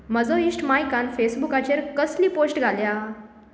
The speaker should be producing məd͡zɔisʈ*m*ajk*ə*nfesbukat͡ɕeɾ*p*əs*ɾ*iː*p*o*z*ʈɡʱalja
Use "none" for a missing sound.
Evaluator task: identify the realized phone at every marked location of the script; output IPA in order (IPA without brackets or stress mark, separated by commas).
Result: m, a, k, l, p, s